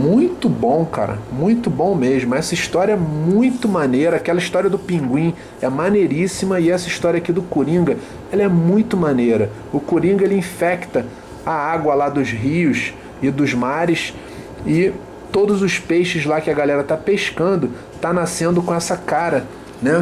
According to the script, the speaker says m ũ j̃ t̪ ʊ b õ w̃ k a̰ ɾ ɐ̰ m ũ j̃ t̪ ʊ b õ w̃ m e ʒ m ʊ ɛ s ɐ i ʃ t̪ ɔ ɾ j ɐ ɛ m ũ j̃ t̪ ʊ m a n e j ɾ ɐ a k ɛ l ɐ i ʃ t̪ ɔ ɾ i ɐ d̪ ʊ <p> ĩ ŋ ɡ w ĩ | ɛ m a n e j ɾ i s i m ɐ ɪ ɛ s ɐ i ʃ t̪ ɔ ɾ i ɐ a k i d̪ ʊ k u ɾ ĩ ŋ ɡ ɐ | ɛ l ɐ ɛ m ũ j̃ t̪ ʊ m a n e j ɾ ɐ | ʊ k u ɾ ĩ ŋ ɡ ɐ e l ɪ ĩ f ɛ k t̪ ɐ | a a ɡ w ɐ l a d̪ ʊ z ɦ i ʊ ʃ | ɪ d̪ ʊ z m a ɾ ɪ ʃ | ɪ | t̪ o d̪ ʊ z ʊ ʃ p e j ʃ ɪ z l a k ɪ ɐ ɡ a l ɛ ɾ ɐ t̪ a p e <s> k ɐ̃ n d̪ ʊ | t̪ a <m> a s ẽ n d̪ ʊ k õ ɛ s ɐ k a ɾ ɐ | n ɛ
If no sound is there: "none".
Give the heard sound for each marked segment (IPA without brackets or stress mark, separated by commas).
p, ʃ, n